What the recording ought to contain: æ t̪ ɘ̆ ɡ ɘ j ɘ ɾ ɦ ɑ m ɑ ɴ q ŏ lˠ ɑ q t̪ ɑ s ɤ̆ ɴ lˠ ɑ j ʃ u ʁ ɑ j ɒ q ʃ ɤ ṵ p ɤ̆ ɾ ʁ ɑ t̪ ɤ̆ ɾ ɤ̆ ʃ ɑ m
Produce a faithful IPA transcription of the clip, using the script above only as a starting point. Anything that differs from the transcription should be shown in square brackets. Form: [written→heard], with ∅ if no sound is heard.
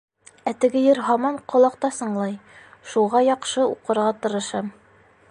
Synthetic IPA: æ t̪ ɘ̆ ɡ ɘ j ɘ ɾ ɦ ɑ m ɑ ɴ q ŏ lˠ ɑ q t̪ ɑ s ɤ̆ ɴ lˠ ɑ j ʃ u ʁ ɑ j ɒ q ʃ ɤ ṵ [p→q] ɤ̆ ɾ ʁ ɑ t̪ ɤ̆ ɾ ɤ̆ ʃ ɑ m